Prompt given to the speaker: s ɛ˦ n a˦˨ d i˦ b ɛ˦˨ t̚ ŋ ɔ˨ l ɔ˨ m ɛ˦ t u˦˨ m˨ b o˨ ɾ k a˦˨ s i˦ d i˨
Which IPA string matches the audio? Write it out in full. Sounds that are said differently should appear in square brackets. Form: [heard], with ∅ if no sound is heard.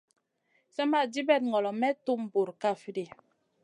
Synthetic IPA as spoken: s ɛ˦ [m] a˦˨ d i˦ b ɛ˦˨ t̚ ŋ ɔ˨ l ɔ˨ m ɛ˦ t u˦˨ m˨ b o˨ ɾ k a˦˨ [f] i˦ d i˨